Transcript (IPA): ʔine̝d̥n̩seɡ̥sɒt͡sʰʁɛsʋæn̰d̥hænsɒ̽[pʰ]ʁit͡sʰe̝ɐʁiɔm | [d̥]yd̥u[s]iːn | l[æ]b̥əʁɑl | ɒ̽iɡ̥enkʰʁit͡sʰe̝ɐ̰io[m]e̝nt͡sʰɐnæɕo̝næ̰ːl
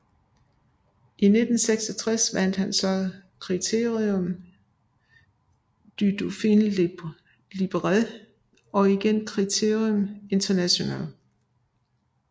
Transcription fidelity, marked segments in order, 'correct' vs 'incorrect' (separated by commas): incorrect, correct, incorrect, incorrect, correct